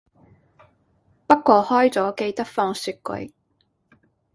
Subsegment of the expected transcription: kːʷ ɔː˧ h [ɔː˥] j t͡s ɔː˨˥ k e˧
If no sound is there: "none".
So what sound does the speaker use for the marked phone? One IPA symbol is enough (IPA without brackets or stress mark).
ɔː˥